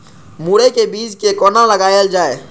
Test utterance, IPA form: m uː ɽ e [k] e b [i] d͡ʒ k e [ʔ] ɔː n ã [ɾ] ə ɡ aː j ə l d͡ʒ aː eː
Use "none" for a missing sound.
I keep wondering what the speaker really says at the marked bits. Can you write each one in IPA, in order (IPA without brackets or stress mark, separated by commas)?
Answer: k, iː, k, l